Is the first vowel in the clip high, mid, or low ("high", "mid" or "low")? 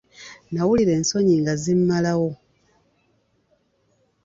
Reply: low